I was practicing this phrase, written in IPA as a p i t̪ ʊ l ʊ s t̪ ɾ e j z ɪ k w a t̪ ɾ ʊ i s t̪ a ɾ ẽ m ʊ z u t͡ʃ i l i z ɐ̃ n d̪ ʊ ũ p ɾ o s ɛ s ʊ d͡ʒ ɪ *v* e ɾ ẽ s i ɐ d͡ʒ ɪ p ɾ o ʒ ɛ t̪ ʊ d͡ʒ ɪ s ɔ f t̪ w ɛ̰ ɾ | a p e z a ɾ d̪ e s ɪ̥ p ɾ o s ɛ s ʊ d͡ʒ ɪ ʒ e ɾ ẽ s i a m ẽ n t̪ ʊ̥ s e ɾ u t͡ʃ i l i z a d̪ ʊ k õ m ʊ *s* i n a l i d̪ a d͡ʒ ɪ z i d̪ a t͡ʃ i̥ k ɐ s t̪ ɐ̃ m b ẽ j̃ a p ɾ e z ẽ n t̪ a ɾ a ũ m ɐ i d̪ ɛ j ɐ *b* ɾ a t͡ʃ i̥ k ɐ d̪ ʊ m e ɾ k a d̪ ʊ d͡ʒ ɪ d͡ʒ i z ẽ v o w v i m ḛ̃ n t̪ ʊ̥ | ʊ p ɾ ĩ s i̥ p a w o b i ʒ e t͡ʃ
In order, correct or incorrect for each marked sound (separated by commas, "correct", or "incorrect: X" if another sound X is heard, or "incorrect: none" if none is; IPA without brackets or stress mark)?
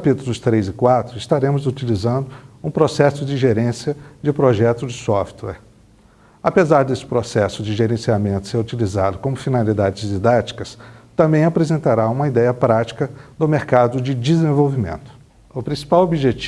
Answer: incorrect: ʒ, incorrect: f, incorrect: p